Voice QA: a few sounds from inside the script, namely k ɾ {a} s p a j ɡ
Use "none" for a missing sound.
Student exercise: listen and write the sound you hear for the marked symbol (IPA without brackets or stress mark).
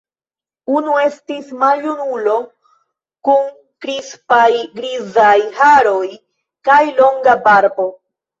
i